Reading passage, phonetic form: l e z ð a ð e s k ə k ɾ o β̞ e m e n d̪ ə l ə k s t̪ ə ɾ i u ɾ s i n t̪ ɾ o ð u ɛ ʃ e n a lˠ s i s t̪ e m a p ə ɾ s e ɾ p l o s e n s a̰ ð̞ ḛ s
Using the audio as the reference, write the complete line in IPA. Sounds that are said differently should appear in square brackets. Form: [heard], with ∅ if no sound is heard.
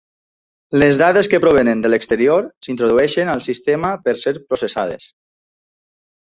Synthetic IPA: l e z ð a ð e s k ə [p] ɾ o β̞ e [n] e n d̪ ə l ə k s t̪ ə ɾ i [o] ɾ s i n t̪ ɾ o ð u ɛ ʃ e n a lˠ s i s t̪ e m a p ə ɾ s e ɾ p [ɾ] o s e [∅] s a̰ ð̞ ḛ s

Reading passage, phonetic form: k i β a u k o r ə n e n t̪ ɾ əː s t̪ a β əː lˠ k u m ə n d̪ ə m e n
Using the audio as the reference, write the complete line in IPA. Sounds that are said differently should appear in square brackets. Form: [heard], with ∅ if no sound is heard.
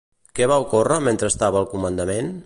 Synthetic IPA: k [ɛ] β a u k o r ə [m] e n t̪ ɾ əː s t̪ a β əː lˠ k u m ə n d̪ ə m e n

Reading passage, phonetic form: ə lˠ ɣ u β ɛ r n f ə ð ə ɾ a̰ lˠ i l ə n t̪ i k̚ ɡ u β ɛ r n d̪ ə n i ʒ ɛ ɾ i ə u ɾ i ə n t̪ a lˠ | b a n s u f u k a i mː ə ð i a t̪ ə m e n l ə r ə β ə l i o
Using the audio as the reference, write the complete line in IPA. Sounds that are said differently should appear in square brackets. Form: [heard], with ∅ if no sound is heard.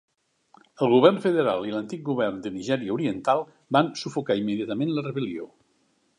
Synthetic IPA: ə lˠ ɣ u β ɛ r n f ə ð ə ɾ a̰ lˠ i l ə n t̪ i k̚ ɡ u β ɛ r n d̪ ə n i ʒ ɛ ɾ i ə u ɾ i ə n t̪ a lˠ | b a n s u f u k a i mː ə ð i a t̪ ə m e n l ə r ə β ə l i o

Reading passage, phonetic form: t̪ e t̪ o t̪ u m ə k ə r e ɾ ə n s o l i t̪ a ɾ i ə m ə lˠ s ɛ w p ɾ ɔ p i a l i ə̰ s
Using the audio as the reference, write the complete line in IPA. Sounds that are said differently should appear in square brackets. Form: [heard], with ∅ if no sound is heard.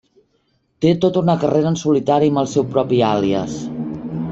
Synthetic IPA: t̪ e t̪ o t̪ u [n] ə k ə r e ɾ ə n s [u] l i t̪ a ɾ i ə m ə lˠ s ɛ w p ɾ ɔ p i a l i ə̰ s

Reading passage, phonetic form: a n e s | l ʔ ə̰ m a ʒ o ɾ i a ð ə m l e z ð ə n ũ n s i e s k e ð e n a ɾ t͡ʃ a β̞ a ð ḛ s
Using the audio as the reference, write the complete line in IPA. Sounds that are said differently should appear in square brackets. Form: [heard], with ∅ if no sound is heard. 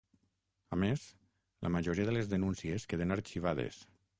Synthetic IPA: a [m] e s | l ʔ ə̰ m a ʒ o ɾ i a ð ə [∅] l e z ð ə n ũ n s i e s k e ð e n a ɾ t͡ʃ [i] β̞ a ð ḛ s

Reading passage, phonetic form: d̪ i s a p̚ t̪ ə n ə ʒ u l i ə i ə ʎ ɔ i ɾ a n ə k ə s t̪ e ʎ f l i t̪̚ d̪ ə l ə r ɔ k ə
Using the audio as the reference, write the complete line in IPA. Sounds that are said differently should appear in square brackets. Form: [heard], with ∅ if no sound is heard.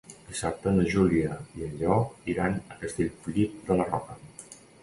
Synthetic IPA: d̪ i s a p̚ t̪ ə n ə ʒ u l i ə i ə ʎ ɔ i ɾ a n ə k ə s t̪ e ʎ f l i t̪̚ d̪ ə l ə r ɔ k ə

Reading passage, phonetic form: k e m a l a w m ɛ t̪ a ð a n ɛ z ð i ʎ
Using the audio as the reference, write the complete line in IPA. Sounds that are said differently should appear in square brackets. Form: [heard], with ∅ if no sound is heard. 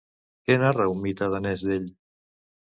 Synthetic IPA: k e [n] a [r] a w m [i] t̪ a ð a n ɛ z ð [e] ʎ

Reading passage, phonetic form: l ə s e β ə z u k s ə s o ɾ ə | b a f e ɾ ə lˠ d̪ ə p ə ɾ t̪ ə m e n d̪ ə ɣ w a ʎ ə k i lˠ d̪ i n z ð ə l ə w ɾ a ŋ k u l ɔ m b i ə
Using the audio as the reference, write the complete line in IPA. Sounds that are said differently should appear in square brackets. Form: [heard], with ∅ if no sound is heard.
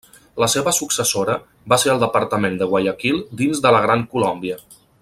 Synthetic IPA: l ə s e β ə [s] u k s ə s o ɾ ə | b a [s] e ɾ ə lˠ d̪ ə p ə ɾ t̪ ə m e n d̪ ə ɣ w a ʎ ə k i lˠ d̪ i n z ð ə l ə [ɣ] ɾ a ŋ k u l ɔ m b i ə

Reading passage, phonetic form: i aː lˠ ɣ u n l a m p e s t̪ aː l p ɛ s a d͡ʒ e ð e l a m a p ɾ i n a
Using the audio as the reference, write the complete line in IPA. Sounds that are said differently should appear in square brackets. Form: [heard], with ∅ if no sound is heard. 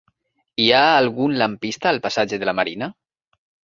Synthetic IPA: i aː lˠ ɣ u n l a m p [i] s t̪ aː l p [a] s a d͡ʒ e ð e l a m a [∅] ɾ i n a

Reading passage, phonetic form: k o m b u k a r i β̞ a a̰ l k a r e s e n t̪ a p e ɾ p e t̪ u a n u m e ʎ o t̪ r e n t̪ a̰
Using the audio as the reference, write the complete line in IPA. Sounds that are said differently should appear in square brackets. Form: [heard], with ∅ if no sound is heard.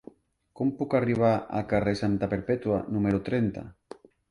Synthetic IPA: k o m [p] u k a r i β̞ a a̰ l k a r e s [a] n t̪ a p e ɾ p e t̪ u a n u m e [ɾ] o t̪ [ɾ] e n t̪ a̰

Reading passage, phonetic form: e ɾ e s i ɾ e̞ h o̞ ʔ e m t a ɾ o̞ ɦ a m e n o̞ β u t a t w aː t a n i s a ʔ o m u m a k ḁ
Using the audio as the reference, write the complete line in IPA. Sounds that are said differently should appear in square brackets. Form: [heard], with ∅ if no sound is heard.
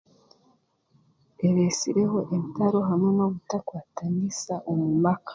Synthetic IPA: e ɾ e s i ɾ e̞ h o̞ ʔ e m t a ɾ o̞ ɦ a m e n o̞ β u t a [k] w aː t a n i s a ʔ o m u m a k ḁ

